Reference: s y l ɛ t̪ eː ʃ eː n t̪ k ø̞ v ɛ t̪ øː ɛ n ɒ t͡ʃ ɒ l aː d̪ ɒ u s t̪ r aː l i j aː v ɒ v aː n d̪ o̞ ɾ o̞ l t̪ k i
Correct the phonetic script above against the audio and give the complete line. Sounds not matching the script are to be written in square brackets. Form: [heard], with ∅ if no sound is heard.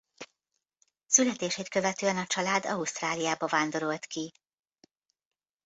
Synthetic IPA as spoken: s y l ɛ t̪ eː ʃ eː [∅] t̪ k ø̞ v ɛ t̪ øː ɛ n ɒ t͡ʃ ɒ l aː d̪ ɒ u s t̪ r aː l i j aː [b] ɒ v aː n d̪ o̞ ɾ o̞ l t̪ k i